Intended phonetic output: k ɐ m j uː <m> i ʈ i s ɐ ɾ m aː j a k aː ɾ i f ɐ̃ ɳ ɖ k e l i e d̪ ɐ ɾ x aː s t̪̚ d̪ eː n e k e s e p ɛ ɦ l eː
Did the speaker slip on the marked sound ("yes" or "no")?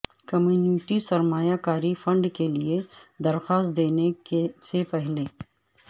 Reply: yes